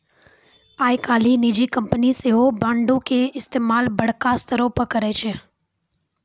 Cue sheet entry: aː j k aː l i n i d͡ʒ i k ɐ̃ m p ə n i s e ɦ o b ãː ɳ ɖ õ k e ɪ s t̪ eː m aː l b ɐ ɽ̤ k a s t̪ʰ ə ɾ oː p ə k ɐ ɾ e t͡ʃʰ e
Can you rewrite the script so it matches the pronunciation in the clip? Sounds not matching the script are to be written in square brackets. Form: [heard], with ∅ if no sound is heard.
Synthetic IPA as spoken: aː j k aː l i n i d͡ʒ i k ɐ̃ m p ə n i s e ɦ o b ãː ɳ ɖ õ k e ɪ s t̪ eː m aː l b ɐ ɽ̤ k a s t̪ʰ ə ɾ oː p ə k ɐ ɾ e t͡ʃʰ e